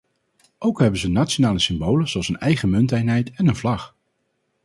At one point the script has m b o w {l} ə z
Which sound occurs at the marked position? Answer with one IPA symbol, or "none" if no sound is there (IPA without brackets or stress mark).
l